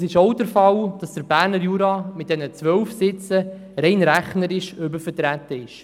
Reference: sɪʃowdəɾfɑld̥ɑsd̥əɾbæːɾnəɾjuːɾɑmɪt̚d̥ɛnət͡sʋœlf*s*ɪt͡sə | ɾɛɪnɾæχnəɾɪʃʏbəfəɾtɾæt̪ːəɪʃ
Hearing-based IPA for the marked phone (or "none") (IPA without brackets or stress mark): s